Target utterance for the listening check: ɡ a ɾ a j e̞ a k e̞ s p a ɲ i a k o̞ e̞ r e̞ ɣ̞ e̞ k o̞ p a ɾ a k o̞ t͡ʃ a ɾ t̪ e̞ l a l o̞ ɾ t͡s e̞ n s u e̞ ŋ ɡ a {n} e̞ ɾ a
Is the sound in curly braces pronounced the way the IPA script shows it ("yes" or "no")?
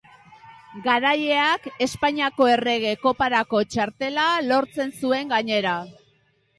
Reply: no